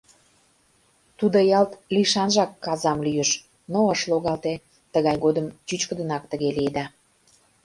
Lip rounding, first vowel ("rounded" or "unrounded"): rounded